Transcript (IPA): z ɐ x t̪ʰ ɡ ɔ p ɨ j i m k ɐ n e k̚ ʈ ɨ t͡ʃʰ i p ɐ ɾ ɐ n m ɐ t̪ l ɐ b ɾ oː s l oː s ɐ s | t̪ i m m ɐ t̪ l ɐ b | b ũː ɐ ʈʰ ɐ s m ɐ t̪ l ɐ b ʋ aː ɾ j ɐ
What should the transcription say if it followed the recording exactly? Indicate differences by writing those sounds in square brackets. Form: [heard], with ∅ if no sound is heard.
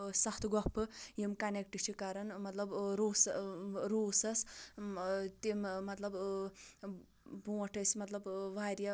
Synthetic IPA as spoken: [s] ɐ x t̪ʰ ɡ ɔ p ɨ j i m k ɐ n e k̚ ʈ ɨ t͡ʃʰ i [k] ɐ ɾ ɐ n m ɐ t̪ l ɐ b ɾ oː s [ɾ] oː s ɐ s | t̪ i m m ɐ t̪ l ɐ b | b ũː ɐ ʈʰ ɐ s m ɐ t̪ l ɐ b ʋ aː ɾ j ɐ